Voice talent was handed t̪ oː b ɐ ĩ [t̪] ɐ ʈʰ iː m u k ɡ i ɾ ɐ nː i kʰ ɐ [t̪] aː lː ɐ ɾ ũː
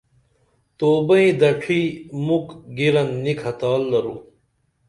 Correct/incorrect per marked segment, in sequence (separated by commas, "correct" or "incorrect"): incorrect, correct